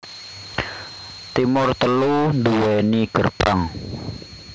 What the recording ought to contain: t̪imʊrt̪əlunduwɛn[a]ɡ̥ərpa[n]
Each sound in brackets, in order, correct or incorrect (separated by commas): incorrect, incorrect